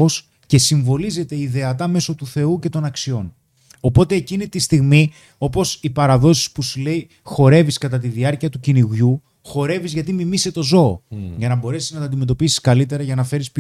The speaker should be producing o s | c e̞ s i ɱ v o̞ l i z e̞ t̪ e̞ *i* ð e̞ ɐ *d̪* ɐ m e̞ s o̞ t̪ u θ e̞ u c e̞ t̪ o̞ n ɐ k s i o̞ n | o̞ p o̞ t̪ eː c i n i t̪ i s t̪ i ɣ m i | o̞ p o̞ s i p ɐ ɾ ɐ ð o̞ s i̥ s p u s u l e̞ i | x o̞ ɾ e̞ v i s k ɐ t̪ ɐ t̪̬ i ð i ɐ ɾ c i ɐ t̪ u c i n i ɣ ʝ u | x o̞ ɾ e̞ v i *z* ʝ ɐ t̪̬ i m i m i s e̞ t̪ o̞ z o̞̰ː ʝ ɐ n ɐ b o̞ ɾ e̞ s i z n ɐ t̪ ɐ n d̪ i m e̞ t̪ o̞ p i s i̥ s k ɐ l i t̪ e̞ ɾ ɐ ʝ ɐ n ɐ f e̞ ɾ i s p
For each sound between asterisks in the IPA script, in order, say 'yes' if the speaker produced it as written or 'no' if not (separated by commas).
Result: yes, no, yes